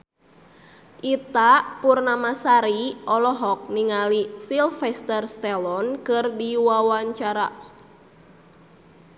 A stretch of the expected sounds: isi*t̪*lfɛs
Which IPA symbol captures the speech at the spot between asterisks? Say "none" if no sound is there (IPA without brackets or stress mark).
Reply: none